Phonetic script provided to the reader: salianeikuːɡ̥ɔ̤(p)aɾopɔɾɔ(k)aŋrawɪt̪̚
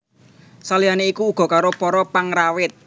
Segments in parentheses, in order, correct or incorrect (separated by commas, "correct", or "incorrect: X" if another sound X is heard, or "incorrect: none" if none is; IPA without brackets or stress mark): incorrect: k, incorrect: p